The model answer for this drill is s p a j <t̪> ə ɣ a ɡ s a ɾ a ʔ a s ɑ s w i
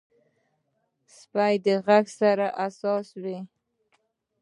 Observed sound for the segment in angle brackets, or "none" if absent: d̪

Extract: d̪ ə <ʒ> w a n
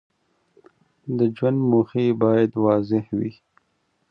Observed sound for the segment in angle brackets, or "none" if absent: d͡ʒ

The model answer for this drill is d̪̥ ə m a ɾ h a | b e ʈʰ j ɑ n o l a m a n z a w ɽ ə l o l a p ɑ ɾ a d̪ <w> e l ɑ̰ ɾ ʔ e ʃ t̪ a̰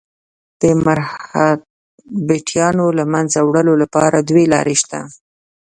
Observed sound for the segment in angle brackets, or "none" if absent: w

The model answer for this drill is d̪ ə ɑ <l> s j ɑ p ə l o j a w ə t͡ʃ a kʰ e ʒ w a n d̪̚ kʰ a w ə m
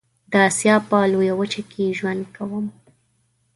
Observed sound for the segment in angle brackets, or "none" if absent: none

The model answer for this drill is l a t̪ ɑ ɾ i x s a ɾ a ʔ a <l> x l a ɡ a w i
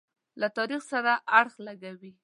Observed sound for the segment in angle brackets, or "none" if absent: ɽ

